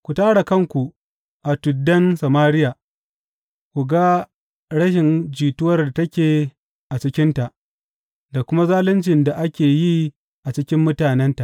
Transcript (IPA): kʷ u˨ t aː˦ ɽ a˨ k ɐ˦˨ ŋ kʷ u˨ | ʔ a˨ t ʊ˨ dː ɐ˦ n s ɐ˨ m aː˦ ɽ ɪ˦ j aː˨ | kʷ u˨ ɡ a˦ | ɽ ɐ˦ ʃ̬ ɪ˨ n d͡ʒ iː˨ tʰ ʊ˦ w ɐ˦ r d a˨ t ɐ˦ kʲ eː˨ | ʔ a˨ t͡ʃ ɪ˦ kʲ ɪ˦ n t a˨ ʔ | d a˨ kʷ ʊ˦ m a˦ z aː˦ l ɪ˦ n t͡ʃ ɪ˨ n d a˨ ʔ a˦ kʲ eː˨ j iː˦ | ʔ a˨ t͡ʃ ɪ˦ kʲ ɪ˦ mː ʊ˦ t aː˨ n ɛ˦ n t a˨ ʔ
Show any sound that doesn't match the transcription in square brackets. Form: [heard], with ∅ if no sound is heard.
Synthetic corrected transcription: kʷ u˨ t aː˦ ɽ a˨ k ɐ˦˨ ŋ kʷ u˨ | ʔ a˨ t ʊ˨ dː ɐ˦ n s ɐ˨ m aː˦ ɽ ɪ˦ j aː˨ | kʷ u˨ ɡ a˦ | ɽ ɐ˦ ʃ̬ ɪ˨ n d͡ʒ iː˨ [t] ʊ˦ w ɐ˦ r d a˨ t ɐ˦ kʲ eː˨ | ʔ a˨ t͡ʃ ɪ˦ kʲ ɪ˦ n t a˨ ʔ | d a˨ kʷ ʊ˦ m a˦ z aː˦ l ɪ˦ n t͡ʃ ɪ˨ n d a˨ ʔ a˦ kʲ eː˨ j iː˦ | ʔ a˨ t͡ʃ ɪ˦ kʲ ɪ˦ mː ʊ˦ t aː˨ n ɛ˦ n t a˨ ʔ